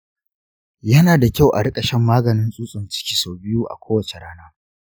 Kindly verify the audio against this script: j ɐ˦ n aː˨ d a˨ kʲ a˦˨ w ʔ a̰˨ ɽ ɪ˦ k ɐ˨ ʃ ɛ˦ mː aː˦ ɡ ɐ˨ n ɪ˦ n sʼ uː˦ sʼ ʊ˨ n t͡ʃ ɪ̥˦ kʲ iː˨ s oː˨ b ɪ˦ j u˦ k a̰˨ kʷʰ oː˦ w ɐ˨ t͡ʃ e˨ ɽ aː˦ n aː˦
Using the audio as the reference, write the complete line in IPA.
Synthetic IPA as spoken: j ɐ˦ n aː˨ d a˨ kʲ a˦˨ w ʔ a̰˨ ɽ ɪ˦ kʼ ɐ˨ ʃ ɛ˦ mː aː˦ ɡ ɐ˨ n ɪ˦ n sʼ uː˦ sʼ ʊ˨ n t͡ʃ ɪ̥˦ kʲ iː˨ s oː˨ b ɪ˦ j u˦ ʔ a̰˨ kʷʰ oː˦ w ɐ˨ t͡ʃ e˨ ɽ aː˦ n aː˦